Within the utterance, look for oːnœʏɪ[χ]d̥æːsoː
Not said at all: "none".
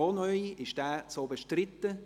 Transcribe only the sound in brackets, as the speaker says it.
ʃ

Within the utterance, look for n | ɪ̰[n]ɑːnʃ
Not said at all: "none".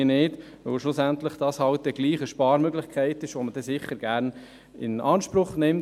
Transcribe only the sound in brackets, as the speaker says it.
n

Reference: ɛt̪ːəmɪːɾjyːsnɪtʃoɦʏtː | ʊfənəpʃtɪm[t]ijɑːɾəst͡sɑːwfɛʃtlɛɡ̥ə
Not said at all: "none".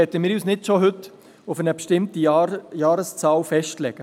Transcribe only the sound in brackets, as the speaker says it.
t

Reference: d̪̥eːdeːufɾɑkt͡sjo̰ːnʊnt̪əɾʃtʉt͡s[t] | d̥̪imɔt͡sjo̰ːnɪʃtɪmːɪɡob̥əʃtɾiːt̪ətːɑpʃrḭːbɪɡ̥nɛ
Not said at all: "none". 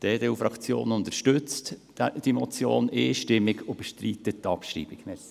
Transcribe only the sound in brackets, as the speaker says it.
t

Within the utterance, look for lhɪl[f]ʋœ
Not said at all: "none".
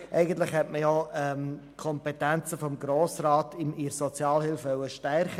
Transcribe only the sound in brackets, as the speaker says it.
f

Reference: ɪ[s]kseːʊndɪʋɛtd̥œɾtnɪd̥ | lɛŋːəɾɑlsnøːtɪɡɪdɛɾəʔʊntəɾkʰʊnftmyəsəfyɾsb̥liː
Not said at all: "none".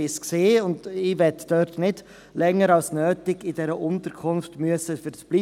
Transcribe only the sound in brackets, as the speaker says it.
s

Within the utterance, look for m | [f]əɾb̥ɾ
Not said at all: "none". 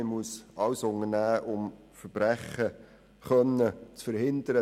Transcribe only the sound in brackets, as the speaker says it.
f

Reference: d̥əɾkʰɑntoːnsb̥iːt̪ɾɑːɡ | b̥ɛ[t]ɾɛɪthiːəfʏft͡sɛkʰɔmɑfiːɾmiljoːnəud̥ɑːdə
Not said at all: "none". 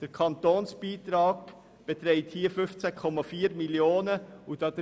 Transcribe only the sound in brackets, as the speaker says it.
t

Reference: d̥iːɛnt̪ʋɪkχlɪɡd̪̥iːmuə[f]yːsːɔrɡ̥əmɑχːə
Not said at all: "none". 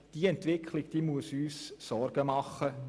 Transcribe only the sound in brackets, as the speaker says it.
s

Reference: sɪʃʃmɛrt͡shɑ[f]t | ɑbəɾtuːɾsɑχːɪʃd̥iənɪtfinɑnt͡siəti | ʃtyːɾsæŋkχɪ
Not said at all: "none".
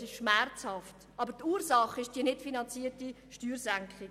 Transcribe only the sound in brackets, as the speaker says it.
f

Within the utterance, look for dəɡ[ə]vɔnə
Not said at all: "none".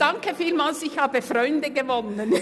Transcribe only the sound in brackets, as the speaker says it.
ə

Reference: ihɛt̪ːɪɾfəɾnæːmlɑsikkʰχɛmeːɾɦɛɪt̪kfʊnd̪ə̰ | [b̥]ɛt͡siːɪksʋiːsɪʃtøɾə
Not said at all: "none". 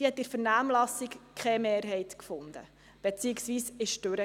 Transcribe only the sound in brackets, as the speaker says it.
b̥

